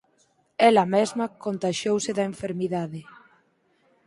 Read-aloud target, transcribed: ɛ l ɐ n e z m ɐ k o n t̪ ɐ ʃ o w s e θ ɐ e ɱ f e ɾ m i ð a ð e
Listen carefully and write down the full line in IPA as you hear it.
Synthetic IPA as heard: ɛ l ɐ m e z m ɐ k o n t̪ a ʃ o w s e ð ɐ e ɱ f e ɾ m i ð a ð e